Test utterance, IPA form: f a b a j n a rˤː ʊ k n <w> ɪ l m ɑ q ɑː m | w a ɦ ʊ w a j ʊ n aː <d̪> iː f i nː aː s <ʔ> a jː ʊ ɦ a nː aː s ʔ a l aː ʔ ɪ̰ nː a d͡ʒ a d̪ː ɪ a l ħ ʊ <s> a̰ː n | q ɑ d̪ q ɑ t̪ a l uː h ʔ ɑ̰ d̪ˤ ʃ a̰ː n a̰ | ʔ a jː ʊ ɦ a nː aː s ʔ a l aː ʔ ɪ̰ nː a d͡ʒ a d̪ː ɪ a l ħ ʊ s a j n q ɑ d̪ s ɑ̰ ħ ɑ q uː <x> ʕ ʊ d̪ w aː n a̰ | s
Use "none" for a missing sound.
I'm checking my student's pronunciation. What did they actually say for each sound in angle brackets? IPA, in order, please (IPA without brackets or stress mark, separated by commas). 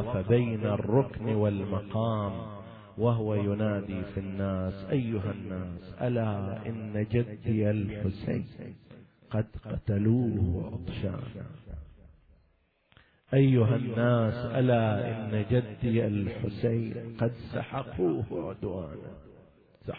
w, d̪, ʔ, s, h